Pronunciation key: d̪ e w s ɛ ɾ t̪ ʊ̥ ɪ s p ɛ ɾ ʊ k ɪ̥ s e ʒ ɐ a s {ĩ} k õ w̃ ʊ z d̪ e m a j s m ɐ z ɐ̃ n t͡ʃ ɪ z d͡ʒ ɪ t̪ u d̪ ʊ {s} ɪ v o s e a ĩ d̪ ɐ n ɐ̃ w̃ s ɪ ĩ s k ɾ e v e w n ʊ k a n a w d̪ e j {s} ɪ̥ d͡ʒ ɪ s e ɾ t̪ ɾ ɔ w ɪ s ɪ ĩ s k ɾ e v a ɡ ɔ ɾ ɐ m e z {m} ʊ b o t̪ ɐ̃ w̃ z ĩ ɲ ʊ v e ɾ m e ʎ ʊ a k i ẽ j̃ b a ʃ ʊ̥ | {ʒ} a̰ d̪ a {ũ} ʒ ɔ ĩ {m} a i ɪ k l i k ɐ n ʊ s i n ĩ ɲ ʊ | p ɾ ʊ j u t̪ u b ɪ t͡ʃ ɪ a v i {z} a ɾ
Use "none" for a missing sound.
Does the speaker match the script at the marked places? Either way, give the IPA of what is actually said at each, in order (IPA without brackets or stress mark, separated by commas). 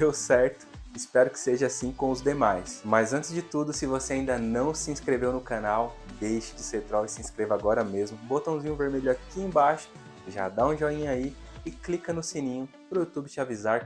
ĩ, s, ʃ, m, ʒ, ũ, ɲ, z